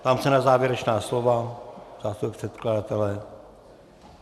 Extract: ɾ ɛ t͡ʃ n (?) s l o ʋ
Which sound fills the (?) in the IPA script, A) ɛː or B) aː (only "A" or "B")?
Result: B